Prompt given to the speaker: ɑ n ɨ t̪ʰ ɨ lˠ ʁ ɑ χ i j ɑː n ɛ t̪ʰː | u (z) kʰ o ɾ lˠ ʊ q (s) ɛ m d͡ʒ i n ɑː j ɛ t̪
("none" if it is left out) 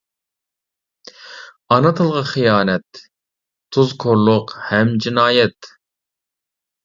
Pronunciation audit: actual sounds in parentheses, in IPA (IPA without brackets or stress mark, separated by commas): z, h